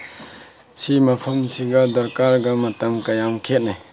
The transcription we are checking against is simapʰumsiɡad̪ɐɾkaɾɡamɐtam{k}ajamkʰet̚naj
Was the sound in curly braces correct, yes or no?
yes